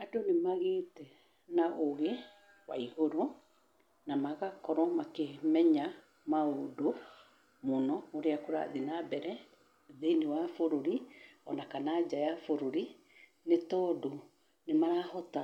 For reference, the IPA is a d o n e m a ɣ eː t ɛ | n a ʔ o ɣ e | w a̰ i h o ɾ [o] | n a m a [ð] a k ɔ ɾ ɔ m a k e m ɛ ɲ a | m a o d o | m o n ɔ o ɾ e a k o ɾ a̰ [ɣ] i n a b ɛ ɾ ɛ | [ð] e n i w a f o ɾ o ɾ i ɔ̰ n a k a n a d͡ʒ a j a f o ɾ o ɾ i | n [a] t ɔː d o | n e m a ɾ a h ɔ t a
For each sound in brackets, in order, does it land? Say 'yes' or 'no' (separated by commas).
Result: yes, no, no, yes, no